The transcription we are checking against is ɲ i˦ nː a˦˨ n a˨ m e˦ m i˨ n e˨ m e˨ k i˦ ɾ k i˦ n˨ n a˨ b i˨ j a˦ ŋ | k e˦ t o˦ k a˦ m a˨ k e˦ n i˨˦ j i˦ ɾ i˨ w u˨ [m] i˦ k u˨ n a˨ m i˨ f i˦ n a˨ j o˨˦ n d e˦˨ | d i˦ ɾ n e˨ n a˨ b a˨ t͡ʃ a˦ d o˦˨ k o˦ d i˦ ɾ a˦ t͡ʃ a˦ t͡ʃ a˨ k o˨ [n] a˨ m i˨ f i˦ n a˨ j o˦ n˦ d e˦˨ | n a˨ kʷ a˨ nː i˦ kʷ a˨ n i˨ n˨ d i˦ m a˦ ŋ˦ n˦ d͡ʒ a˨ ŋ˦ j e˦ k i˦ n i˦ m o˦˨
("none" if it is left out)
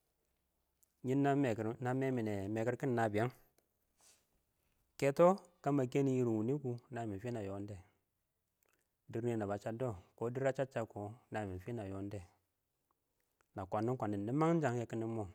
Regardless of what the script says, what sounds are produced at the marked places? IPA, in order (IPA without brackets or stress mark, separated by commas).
n, n